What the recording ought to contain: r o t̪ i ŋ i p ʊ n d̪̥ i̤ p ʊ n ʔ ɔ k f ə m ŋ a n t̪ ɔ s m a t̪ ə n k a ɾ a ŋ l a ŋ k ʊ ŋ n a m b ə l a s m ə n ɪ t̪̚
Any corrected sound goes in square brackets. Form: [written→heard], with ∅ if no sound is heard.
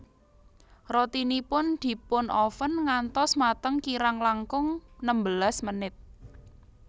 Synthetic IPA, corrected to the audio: r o t̪ i [ŋ→n] i p ʊ n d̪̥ i̤ p ʊ n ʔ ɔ [k→∅] f ə [m→n] ŋ a n t̪ ɔ s m a t̪ ə [n→ŋ] k [a→i] ɾ a ŋ l a ŋ k ʊ ŋ n [a→ə] m b ə l a s m ə n ɪ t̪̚

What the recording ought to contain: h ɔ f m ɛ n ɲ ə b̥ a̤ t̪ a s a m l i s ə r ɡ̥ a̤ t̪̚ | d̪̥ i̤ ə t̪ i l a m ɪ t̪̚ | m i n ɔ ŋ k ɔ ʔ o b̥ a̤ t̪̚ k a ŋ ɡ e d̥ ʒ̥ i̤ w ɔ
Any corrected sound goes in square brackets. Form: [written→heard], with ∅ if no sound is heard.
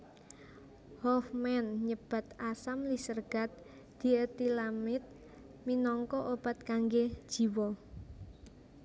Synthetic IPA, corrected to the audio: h ɔ f m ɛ n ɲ ə b̥ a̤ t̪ a s a m l i s ə r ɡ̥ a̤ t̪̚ | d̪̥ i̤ ə t̪ i l a m ɪ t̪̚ | m i n ɔ ŋ k ɔ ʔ o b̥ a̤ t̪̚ k a ŋ ɡ e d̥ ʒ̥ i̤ w ɔ

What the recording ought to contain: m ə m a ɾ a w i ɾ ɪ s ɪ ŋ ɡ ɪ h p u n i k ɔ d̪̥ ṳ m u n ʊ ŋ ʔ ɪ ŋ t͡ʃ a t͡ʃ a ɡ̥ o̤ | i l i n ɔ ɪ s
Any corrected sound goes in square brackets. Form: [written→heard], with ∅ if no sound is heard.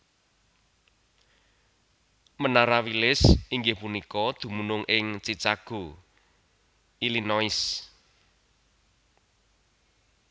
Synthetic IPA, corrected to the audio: m ə [m→n] a ɾ a w i [ɾ→l] ɪ s [ɪ→i] ŋ ɡ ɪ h p u n i k ɔ d̪̥ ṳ m u n ʊ ŋ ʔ ɪ ŋ t͡ʃ [a→i] t͡ʃ a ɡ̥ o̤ | i l i n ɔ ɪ s

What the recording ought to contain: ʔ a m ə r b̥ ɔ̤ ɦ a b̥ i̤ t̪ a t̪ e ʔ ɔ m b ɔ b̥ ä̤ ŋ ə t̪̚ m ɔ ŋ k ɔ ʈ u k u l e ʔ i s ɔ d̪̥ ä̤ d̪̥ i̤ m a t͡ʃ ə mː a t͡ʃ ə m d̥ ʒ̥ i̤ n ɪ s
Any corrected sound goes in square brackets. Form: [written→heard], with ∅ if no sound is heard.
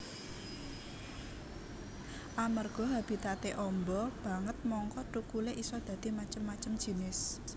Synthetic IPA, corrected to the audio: ʔ a m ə r [b̥→ɡ̥] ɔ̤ ɦ a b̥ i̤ t̪ a t̪ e ʔ ɔ m b ɔ b̥ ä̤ ŋ ə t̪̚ m ɔ ŋ k ɔ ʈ u k u l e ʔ i s ɔ d̪̥ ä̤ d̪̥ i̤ m a t͡ʃ ə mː a t͡ʃ ə m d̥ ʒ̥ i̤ n ɪ s

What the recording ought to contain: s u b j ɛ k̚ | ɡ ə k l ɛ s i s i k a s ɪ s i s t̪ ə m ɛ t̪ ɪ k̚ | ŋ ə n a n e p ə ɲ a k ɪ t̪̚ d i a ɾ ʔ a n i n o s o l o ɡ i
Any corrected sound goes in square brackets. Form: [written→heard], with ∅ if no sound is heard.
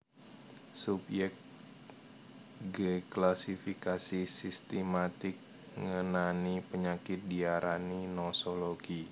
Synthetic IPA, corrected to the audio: s u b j ɛ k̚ | ɡ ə k l [ɛ→a] s i [s→f] i k a s [ɪ→i] s i s t̪ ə m [ɛ→a] t̪ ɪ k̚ | ŋ ə n a n [e→i] p ə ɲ a k ɪ t̪̚ d i a ɾ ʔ a n i n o s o l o ɡ i

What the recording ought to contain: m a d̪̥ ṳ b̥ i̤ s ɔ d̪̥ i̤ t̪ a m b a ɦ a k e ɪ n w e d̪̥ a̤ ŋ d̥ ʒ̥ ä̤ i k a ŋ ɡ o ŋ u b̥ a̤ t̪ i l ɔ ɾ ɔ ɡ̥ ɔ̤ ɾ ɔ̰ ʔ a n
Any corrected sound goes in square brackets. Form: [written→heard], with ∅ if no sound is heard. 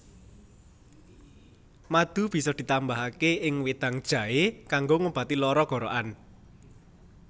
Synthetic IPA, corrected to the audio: m a d̪̥ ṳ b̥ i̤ s ɔ d̪̥ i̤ t̪ a m b a ɦ a k e ɪ [n→ŋ] w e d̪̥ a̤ ŋ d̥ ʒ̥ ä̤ [i→e] k a ŋ ɡ o ŋ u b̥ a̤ t̪ i l ɔ ɾ ɔ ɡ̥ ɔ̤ ɾ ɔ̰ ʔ a n

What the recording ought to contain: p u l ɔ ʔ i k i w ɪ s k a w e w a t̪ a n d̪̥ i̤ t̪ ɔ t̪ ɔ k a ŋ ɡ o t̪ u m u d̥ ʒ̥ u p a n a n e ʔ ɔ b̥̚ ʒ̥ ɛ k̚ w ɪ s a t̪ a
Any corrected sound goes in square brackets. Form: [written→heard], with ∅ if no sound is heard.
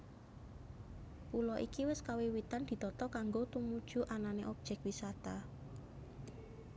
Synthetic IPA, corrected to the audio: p u l ɔ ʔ i k i w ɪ s k a w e w [a→i] t̪ a n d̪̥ i̤ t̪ ɔ t̪ ɔ k a ŋ ɡ o t̪ u m u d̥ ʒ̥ u [p→ʔ] a n a n e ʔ ɔ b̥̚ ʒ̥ ɛ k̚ w [ɪ→i] s a t̪ a

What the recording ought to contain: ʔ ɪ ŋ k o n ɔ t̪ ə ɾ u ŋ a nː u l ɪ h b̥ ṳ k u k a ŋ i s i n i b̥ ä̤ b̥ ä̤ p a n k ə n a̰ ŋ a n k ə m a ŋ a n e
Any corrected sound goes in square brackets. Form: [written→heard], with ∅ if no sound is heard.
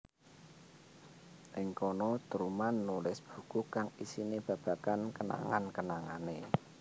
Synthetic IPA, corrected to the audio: ʔ ɪ ŋ k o n ɔ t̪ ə ɾ u [ŋ→m] a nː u l ɪ [h→s] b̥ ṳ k u k a ŋ i s i n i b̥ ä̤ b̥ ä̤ [p→k] a n k ə n a̰ ŋ a n k ə [m→n] a ŋ a n e

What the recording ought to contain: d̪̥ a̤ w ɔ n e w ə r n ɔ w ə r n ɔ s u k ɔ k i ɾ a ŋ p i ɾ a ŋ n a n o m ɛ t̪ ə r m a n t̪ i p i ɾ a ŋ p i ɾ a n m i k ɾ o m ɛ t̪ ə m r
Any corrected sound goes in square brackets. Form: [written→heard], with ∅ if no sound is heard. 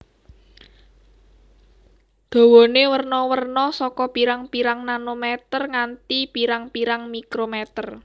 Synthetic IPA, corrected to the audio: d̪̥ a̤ w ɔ n e w ə r n ɔ w ə r n ɔ s [u→ɔ] k ɔ [k→p] i ɾ a ŋ p i ɾ a ŋ n a n o m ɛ t̪ ə r [m→ŋ] a n t̪ i p i ɾ a ŋ p i ɾ a [n→ŋ] m i k ɾ o m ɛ t̪ ə [m→∅] r

